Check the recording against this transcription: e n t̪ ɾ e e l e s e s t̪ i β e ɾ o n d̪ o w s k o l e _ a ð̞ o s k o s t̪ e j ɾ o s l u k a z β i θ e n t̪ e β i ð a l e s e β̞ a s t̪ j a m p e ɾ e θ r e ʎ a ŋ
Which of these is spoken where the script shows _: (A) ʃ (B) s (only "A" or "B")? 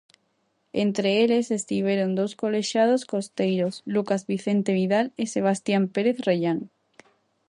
A